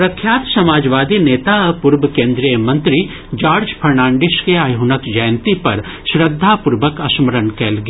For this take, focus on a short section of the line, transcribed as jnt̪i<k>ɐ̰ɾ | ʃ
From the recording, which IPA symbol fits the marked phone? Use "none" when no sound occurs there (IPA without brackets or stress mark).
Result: p